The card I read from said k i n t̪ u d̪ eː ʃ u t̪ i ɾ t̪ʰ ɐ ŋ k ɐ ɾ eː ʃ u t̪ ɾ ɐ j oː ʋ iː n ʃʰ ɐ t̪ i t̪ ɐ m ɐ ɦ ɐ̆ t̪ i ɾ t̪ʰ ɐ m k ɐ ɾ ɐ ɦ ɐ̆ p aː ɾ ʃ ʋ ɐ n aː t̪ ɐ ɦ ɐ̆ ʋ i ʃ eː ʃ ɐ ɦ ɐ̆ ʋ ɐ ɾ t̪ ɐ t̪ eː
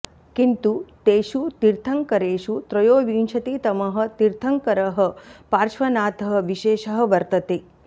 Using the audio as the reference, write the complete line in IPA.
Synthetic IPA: k i n t̪ u t̪ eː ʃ u t̪ i ɾ t̪ʰ ɐ ŋ k ɐ ɾ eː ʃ u t̪ ɾ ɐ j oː ʋ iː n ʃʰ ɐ t̪ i t̪ ɐ m ɐ ɦ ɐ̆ t̪ i ɾ t̪ʰ ɐ ŋ k ɐ ɾ ɐ ɦ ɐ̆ p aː ɾ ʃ ʋ ɐ n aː t̪ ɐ ɦ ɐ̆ ʋ i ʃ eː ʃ ɐ ɦ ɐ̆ ʋ ɐ ɾ t̪ ɐ t̪ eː